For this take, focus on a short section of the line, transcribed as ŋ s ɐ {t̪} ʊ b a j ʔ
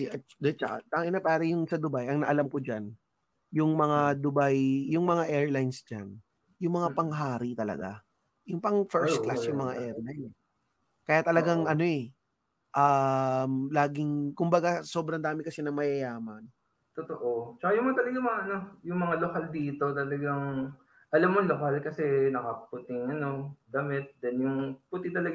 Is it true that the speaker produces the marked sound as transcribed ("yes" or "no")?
no